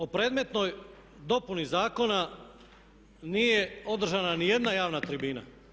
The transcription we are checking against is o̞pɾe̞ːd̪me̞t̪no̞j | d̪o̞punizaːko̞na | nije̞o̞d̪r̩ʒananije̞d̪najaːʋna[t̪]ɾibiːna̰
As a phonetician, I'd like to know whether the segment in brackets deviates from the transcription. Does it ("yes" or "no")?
no